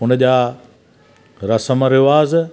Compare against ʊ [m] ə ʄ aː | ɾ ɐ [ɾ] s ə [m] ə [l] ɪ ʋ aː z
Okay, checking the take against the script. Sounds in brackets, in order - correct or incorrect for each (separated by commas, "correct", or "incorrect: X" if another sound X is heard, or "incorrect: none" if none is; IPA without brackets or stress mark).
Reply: incorrect: n, incorrect: none, correct, incorrect: ɾ